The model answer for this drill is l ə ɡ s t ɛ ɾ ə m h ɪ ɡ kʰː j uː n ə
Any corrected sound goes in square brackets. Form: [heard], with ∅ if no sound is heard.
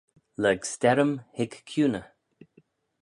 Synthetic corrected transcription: l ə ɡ s t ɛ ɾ ə m h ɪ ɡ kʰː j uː n ə